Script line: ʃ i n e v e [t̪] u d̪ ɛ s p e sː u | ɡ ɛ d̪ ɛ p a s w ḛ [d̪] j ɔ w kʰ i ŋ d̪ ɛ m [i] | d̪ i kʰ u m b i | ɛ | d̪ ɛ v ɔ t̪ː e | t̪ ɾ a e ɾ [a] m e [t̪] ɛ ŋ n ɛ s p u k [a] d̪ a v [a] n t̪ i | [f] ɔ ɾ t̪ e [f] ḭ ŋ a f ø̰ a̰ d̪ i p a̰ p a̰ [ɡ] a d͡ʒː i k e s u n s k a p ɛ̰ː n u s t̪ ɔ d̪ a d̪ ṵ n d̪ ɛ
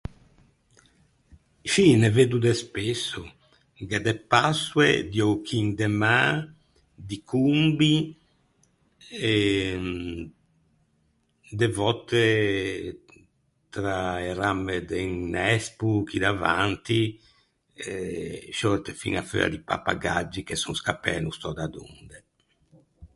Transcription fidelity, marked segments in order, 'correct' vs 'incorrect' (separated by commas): incorrect, correct, incorrect, correct, incorrect, incorrect, correct, incorrect, correct, correct